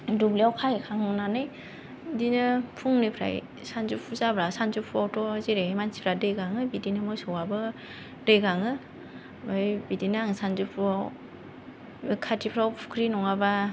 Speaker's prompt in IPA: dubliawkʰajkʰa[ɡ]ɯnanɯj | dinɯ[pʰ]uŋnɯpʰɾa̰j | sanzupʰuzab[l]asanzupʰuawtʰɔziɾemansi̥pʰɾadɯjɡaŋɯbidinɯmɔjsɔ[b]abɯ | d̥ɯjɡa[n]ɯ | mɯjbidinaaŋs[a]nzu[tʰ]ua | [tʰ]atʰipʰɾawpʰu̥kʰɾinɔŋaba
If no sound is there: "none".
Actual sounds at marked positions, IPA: ŋ, pʰ, ɾ, w, ŋ, a, pʰ, kʰ

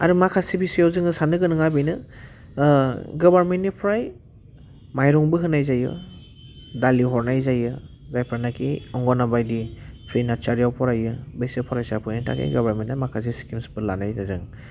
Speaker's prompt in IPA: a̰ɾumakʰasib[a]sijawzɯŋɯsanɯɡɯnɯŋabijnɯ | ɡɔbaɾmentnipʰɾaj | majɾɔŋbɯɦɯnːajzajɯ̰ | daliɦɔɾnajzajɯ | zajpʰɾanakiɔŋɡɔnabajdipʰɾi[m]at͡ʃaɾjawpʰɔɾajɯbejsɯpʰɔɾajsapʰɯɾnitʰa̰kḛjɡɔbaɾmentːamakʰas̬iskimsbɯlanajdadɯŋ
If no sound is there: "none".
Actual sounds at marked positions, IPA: i, n

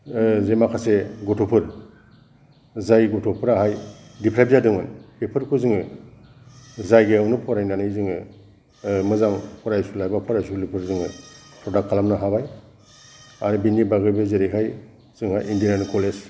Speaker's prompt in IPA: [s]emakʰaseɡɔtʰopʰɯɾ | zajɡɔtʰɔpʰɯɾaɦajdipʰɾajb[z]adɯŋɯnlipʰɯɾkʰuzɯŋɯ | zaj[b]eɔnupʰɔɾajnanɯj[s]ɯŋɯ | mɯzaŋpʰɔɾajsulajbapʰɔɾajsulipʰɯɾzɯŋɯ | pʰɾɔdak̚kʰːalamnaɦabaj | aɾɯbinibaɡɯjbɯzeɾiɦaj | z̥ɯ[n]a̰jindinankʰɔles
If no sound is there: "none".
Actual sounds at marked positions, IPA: z, z, ɡ, z, ŋ

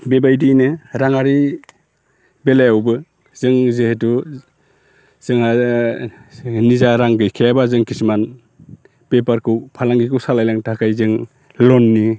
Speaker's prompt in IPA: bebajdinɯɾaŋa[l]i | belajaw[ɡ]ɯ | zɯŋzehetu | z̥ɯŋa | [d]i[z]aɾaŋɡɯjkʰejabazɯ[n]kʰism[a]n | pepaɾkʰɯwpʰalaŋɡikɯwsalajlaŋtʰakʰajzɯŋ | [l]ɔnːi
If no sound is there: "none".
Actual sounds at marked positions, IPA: ɾ, b, n, z, ŋ, a, l

